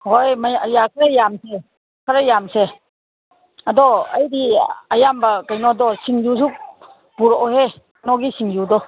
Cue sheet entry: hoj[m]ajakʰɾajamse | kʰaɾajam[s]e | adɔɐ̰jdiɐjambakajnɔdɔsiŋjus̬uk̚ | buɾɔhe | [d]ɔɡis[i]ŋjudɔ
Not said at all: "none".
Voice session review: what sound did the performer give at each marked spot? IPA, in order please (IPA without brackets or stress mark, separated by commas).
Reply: m, s, n, i